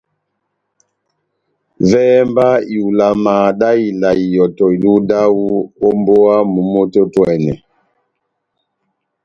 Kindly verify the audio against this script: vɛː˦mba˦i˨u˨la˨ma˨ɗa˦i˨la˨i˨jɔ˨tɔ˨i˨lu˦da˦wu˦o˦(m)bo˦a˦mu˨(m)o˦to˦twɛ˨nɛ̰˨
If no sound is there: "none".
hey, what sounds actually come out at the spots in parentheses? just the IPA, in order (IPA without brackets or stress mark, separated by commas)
m, m